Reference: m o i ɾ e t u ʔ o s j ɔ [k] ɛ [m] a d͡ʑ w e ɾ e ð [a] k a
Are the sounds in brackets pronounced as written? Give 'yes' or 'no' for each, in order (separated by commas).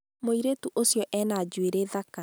no, no, yes